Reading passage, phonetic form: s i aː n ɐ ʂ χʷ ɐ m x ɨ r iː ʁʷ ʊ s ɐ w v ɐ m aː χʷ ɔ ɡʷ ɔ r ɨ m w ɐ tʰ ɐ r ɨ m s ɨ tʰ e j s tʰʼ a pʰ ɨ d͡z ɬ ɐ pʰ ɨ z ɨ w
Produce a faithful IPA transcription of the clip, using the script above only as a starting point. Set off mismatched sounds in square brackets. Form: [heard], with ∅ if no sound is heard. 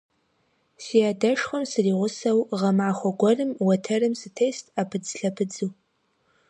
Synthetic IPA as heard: s i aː [d] ɐ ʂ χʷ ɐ m [s] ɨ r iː ʁʷ ʊ s ɐ w [ʁ] ɐ m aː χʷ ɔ ɡʷ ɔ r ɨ m w ɐ tʰ ɐ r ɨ m s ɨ tʰ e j s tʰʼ a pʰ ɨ d͡z ɬ ɐ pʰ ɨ [d͡z] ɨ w